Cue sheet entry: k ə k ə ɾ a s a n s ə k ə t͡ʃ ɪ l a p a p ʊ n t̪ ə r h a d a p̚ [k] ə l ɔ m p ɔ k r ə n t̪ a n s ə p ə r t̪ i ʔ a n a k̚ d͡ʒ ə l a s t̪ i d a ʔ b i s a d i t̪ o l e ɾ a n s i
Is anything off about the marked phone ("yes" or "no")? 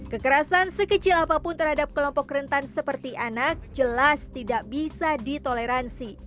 no